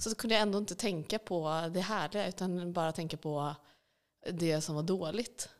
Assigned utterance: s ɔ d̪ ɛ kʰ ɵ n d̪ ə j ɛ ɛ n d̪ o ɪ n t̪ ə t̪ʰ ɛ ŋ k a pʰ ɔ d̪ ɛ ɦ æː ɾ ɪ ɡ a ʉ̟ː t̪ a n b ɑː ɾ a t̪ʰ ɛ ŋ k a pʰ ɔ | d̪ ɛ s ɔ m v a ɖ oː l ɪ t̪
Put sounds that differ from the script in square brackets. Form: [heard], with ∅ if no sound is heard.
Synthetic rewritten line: s ɔ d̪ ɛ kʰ ɵ n d̪ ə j [a] ɛ n d̪ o ɪ n t̪ ə t̪ʰ ɛ ŋ k a pʰ ɔ d̪ ɛ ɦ æː [ɭ] ɪ ɡ a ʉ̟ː t̪ a n b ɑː ɾ a t̪ʰ ɛ ŋ k a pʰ ɔ | d̪ ɛ s ɔ m v a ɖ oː l ɪ t̪